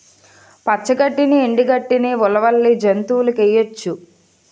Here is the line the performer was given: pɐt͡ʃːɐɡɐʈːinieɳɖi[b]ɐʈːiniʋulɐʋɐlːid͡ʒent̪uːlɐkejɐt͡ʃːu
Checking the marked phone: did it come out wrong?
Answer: yes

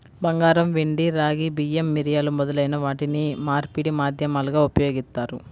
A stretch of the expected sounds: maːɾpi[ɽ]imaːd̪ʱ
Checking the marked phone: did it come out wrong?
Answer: no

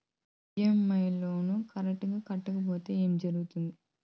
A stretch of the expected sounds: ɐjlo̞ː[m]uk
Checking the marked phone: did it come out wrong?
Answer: yes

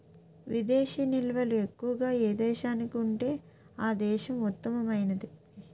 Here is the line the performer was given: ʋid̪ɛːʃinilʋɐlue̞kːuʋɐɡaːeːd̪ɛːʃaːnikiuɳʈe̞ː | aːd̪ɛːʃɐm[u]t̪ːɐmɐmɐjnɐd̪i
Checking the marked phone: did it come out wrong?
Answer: no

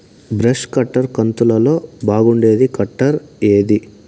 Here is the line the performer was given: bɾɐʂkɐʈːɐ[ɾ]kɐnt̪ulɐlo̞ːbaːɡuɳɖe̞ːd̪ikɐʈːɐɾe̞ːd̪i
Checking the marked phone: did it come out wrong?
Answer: no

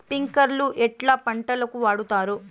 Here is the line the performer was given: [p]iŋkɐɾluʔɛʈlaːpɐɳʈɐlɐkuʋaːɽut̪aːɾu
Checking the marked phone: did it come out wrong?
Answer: no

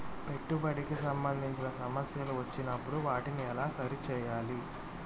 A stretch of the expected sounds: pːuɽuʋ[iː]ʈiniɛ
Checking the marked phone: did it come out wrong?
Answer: yes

